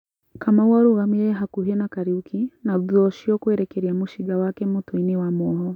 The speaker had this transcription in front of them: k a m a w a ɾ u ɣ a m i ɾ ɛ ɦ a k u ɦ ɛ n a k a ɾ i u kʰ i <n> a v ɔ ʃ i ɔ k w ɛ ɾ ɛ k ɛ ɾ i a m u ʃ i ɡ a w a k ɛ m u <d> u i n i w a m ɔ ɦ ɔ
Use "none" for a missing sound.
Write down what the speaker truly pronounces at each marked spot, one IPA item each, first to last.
n, t

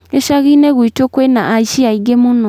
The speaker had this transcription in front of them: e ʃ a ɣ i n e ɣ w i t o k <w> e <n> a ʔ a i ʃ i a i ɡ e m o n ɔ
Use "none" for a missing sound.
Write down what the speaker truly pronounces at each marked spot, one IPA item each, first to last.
w, n

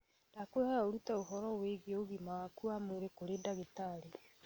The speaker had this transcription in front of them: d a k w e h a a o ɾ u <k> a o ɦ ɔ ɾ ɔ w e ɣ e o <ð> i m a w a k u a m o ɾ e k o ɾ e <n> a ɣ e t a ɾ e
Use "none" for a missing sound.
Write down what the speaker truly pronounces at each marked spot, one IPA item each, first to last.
t, ɣ, d

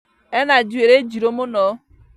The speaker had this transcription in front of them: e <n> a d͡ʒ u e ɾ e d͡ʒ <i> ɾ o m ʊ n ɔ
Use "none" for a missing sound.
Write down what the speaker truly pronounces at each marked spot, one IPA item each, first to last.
n, i

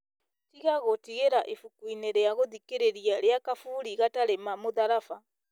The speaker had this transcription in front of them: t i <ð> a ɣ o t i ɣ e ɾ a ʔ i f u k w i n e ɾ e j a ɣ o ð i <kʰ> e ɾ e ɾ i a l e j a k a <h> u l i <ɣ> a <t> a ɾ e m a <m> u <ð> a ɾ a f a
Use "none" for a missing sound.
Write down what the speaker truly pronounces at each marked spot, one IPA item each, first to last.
ɣ, k, f, ɣ, t, m, ð

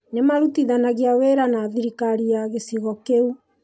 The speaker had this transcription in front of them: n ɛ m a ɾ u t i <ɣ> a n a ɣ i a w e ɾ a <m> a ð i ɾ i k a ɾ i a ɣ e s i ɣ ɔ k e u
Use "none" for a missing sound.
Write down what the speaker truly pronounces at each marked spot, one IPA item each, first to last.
ð, n

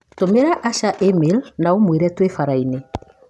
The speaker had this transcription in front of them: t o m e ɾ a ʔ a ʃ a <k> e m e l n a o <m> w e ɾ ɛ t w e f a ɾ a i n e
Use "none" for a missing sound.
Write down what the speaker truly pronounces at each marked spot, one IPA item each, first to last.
ʔ, m

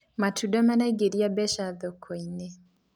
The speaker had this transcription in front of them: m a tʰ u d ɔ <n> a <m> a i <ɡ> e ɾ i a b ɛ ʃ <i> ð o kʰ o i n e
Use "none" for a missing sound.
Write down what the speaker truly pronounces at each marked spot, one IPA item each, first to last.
m, n, ɡ, a

